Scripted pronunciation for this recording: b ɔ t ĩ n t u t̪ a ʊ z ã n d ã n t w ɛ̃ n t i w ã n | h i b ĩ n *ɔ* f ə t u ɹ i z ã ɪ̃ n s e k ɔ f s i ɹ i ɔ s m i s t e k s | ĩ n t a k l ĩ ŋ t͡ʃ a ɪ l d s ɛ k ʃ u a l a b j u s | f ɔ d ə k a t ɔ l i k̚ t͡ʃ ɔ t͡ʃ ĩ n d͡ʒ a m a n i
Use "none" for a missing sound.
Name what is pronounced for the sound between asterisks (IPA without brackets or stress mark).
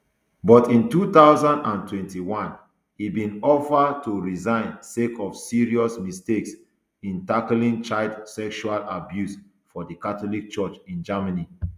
ɔ